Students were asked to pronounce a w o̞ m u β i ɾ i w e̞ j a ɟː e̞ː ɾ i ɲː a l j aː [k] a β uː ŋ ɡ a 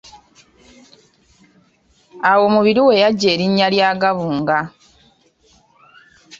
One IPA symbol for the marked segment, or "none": ɡ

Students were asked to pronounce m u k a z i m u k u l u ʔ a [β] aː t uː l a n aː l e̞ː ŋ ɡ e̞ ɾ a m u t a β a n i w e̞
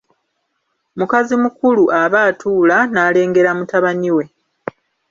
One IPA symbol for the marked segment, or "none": β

